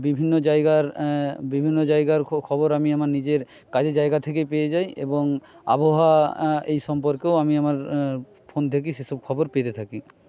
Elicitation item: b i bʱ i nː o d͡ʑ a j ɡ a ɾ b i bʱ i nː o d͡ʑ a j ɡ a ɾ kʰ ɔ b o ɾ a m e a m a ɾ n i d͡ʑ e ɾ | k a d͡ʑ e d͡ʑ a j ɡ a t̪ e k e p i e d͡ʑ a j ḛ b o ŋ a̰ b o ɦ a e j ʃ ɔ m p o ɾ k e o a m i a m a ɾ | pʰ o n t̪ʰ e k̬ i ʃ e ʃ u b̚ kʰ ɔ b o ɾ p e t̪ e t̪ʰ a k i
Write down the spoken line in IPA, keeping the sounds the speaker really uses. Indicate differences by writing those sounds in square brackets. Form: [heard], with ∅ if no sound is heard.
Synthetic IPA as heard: b i bʱ i nː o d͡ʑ a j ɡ a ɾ b i bʱ i nː o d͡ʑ a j ɡ a ɾ kʰ ɔ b o ɾ a m [i] a m a ɾ n i d͡ʑ e ɾ | k a d͡ʑ e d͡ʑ a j ɡ a [t̪ʰ] e k e p [e] e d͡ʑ a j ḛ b o ŋ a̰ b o ɦ a e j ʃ ɔ m p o ɾ k e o a m i a m a ɾ | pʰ o n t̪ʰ e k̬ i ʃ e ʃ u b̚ kʰ ɔ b o ɾ p e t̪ e t̪ʰ a k i